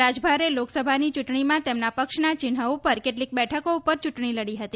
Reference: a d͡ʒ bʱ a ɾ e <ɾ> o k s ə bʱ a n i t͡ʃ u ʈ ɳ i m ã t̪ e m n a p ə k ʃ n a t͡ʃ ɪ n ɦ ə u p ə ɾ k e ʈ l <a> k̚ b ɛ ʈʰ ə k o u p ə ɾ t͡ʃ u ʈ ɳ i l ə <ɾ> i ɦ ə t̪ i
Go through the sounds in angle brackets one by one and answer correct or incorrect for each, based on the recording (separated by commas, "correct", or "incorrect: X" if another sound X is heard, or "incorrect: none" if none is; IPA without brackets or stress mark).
incorrect: l, incorrect: i, incorrect: ɽ